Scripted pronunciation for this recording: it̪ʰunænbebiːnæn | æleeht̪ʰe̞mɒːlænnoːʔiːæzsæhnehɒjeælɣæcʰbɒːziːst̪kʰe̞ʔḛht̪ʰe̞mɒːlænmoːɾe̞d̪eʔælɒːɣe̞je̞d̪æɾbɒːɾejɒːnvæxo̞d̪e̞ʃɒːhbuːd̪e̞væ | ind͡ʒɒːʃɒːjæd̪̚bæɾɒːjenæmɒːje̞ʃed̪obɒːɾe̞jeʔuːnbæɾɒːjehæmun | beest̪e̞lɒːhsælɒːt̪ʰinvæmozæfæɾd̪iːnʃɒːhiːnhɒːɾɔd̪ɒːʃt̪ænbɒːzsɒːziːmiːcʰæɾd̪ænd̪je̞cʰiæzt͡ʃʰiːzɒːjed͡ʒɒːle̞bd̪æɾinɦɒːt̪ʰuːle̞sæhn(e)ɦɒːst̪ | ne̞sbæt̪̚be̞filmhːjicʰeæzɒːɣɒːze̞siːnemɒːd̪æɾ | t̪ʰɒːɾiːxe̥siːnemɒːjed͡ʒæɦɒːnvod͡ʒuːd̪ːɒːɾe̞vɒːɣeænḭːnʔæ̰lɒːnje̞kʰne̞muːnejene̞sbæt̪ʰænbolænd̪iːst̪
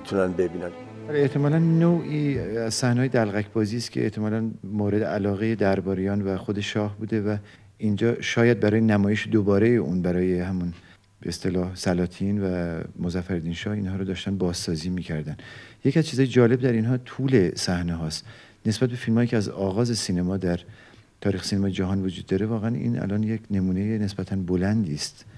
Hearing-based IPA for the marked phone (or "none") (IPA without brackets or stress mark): e